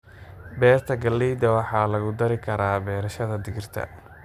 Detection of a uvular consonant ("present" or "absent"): absent